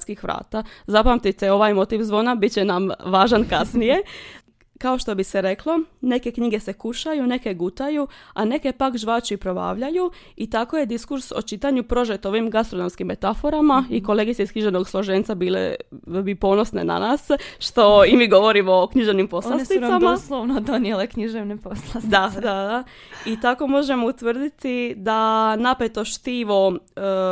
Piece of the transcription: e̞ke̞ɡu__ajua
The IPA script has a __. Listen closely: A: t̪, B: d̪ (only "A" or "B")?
A